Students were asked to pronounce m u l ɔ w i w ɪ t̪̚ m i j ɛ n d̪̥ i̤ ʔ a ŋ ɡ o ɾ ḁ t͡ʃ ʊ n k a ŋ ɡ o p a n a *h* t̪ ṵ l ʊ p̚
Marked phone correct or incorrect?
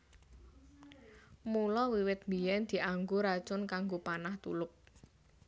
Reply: correct